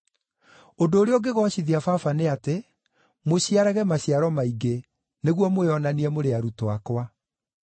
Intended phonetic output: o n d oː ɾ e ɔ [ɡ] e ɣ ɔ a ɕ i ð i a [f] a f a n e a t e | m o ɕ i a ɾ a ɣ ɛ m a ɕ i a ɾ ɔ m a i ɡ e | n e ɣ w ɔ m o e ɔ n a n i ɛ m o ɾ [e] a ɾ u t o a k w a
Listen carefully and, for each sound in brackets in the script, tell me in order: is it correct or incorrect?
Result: correct, correct, correct

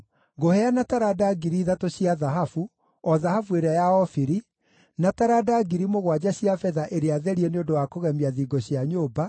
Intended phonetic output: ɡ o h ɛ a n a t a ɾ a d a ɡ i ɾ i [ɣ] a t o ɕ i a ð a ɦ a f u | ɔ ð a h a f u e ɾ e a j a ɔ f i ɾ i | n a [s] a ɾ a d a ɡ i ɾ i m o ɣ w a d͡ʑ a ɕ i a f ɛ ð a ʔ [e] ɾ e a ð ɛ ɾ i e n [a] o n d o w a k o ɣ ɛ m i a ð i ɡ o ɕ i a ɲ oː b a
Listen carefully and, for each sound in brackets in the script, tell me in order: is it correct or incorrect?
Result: incorrect: ð, incorrect: t, correct, incorrect: e

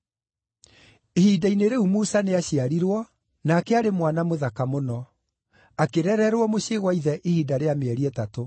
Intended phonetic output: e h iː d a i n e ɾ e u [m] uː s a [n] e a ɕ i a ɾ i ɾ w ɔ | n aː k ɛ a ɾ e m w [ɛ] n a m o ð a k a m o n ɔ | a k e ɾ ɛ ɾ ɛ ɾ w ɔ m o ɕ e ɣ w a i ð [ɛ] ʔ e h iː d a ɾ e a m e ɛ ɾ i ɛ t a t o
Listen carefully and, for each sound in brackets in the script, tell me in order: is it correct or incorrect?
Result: correct, correct, incorrect: a, correct

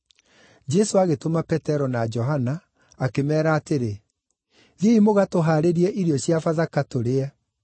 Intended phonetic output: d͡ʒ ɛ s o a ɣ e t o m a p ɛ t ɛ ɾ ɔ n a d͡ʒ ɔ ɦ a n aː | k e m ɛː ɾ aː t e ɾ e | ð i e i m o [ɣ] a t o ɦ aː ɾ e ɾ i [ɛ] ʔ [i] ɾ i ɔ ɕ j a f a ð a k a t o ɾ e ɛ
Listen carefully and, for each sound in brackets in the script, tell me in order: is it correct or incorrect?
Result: correct, correct, correct

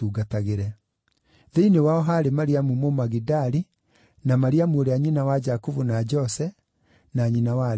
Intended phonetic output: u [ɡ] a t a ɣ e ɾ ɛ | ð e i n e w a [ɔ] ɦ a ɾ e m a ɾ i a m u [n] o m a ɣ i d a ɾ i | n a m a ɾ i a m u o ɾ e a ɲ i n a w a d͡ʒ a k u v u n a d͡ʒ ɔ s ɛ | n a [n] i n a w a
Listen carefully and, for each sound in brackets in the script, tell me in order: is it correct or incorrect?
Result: correct, correct, incorrect: m, incorrect: ɲ

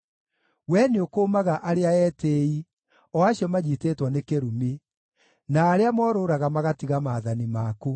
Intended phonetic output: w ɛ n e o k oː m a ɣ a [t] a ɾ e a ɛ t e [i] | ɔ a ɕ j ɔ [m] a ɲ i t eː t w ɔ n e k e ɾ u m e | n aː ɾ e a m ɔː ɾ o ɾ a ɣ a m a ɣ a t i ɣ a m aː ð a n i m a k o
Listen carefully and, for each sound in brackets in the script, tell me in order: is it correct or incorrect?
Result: incorrect: ʔ, correct, correct

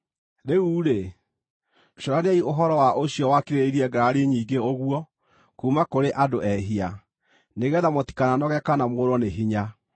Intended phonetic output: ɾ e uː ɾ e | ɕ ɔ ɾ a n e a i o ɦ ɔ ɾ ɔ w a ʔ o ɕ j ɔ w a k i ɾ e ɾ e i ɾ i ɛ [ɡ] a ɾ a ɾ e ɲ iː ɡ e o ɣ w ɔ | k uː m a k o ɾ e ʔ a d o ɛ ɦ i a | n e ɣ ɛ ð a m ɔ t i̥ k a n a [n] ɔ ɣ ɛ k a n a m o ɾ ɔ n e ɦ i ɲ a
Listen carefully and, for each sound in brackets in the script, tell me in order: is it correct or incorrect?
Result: correct, correct

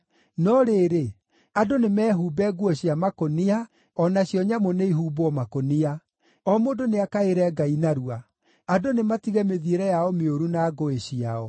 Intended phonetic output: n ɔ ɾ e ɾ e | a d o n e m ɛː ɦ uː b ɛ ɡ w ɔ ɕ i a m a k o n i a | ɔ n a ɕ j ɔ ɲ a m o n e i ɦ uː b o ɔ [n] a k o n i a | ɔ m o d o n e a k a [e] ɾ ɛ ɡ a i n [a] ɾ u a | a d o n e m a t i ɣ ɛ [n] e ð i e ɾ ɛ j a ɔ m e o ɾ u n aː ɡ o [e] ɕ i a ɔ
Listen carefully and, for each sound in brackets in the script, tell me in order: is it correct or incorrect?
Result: incorrect: m, correct, correct, incorrect: m, correct

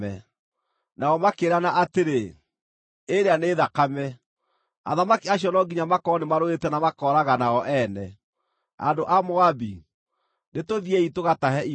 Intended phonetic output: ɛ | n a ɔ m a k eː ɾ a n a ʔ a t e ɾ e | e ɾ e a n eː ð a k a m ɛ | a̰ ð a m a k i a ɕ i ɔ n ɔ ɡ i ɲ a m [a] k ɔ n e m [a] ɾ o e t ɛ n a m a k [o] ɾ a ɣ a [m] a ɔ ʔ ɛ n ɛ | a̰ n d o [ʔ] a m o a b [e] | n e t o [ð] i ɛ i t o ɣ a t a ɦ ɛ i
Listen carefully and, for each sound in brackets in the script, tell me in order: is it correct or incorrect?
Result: correct, correct, incorrect: ɔ, incorrect: n, correct, incorrect: i, correct

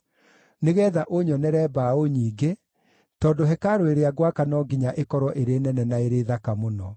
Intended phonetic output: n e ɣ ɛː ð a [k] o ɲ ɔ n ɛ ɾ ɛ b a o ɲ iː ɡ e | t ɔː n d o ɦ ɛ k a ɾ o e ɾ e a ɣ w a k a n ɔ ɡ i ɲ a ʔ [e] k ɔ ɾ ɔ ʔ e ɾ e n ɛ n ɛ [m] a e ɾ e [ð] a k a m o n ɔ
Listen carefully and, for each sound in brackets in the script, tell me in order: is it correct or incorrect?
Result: incorrect: ʔ, correct, incorrect: n, correct

